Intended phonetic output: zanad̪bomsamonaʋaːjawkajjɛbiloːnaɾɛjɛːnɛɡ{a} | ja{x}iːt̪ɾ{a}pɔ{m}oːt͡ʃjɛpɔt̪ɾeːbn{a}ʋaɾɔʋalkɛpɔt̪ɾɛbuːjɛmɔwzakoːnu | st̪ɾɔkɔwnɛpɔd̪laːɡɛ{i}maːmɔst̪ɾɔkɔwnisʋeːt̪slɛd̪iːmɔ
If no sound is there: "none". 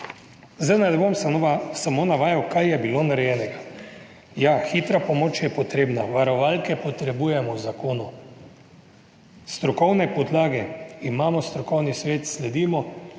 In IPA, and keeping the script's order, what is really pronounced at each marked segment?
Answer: a, x, a, m, a, i

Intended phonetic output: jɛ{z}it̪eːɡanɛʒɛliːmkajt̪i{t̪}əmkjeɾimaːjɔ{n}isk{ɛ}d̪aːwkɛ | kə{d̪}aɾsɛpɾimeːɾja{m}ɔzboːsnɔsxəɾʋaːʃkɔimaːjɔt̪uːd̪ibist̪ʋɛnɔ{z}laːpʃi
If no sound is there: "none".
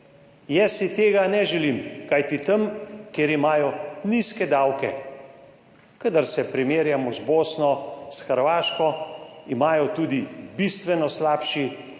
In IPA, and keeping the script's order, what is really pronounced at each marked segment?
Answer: s, t̪, n, ɛ, d̪, m, s

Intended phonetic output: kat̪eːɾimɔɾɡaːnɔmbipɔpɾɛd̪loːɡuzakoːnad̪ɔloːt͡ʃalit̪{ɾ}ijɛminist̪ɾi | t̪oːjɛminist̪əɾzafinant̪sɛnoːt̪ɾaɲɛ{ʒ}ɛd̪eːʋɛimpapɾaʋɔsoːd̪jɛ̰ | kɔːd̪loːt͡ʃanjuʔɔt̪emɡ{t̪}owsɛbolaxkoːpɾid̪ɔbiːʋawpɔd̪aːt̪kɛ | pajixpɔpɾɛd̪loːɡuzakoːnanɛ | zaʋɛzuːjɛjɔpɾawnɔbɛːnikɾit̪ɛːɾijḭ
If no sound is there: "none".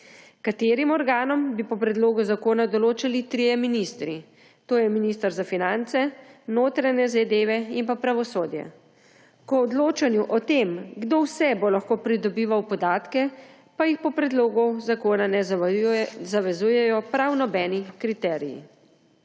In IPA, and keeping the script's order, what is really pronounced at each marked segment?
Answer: ɾ, z, d̪

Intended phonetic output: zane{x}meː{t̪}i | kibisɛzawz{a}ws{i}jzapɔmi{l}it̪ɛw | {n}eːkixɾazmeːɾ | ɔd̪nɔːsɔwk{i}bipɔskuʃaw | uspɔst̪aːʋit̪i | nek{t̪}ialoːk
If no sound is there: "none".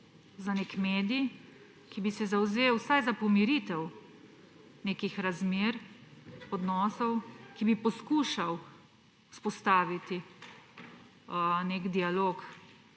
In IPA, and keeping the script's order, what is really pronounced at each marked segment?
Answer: k, d̪, e, a, ɾ, n, i, d̪

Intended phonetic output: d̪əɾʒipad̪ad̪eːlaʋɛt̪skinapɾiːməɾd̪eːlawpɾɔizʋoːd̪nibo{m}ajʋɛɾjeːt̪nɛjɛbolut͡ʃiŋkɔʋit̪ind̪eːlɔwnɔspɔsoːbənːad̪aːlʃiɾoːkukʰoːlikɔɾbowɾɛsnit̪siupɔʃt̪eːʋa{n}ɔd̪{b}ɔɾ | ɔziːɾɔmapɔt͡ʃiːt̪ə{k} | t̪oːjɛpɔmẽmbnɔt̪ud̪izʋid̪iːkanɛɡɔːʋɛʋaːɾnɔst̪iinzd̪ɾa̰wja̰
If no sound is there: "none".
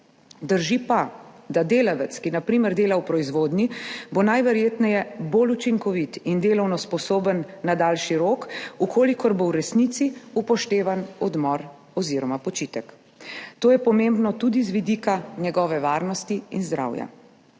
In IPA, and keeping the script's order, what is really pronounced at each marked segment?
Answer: n, n, m, k

